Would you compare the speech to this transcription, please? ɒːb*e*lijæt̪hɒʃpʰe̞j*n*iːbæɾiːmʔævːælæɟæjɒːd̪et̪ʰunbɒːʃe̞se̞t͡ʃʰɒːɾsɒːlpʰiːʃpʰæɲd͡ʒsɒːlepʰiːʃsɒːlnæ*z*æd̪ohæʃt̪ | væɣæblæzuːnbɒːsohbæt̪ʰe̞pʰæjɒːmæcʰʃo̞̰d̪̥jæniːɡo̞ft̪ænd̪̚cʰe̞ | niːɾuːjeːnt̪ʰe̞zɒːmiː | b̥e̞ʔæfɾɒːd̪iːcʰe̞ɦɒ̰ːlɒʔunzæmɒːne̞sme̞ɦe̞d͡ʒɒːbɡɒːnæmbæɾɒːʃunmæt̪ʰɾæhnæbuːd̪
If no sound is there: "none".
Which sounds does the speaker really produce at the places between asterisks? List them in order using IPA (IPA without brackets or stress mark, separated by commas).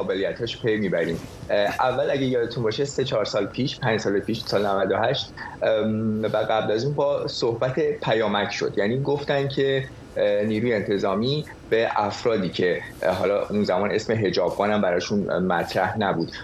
e, m, v